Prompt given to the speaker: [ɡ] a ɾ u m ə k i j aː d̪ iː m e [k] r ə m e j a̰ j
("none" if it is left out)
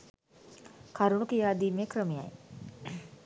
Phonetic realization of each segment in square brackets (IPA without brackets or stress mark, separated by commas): k, k